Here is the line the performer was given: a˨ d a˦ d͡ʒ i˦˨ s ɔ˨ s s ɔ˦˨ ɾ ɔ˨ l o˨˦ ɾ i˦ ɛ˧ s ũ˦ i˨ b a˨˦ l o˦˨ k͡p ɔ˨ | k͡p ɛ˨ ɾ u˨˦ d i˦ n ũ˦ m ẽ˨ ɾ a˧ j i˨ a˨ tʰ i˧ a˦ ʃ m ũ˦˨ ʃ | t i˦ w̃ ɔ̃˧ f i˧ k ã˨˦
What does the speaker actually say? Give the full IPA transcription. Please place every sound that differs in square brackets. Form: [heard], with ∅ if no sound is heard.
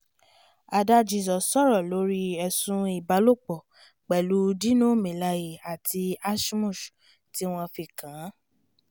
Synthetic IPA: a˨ d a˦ d͡ʒ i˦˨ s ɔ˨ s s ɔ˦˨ ɾ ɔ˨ l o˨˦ ɾ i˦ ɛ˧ s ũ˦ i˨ b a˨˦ l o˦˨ k͡p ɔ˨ | k͡p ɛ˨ [l] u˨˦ d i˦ n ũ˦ m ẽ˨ [l] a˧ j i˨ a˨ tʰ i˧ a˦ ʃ m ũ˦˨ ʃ | t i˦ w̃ ɔ̃˧ f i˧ k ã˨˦